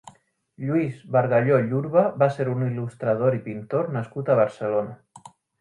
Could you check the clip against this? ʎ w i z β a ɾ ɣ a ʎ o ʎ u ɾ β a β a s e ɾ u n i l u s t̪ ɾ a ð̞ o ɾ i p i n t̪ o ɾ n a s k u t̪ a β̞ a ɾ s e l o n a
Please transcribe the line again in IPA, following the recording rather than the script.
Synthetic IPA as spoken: ʎ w i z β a ɾ ɣ a ʎ o ʎ u ɾ β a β a s e ɾ u n i l u s t̪ ɾ a ð̞ o ɾ i p i n t̪ o ɾ n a s k u t̪ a β̞ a ɾ s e l o n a